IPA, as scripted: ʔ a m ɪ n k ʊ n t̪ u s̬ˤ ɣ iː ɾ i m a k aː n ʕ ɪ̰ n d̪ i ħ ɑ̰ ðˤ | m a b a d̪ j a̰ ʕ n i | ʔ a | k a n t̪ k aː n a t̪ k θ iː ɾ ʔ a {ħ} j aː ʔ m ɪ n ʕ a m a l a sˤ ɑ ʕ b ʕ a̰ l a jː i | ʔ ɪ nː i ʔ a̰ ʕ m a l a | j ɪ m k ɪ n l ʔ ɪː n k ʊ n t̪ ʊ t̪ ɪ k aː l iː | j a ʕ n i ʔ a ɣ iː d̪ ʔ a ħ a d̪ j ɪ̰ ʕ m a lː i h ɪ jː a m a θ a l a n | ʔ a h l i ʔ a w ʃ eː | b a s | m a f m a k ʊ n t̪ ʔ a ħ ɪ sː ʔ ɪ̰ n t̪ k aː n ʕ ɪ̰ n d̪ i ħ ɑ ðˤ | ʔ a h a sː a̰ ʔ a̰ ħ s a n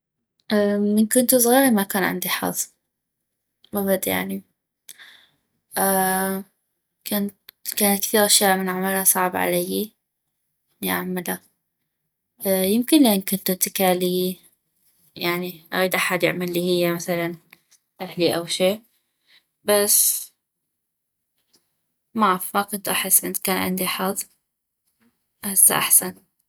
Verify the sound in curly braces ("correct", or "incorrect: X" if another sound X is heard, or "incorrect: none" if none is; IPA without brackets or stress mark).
incorrect: ʃ